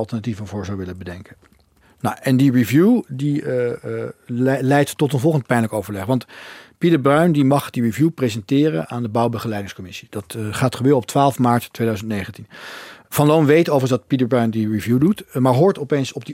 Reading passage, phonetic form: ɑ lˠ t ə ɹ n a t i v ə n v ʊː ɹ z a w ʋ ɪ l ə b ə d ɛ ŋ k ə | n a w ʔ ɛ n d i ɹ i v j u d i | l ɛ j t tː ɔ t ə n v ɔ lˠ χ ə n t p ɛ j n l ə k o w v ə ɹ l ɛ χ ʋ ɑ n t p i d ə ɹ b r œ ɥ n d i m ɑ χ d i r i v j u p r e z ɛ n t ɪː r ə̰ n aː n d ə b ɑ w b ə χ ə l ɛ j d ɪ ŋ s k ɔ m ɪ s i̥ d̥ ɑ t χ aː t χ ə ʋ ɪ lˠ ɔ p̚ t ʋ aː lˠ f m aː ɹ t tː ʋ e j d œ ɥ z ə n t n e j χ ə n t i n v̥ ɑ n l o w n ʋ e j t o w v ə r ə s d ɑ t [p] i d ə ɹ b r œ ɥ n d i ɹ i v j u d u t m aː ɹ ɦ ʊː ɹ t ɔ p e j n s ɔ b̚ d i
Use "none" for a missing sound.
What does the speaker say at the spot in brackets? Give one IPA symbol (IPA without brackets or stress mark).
p